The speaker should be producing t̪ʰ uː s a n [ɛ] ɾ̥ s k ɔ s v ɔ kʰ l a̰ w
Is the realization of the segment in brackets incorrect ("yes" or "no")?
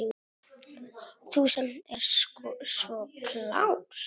no